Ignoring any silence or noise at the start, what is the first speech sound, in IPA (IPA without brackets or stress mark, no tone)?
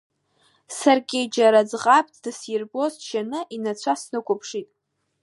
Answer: s